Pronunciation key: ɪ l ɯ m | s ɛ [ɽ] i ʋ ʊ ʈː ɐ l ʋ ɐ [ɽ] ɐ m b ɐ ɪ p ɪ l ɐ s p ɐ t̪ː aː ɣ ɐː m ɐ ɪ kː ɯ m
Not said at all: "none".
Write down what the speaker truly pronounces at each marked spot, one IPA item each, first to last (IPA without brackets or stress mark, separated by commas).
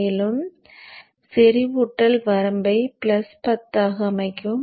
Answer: ɾ, ɾ